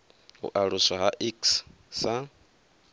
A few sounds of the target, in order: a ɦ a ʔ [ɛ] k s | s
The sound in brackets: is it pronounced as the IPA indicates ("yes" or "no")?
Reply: no